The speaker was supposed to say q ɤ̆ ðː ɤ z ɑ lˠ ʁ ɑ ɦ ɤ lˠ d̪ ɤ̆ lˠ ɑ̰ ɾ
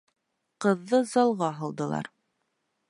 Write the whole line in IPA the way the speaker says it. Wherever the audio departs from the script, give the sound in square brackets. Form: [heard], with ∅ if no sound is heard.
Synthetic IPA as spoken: q ɤ̆ ðː ɤ z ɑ lˠ ʁ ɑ ɦ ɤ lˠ d̪ ɤ̆ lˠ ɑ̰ ɾ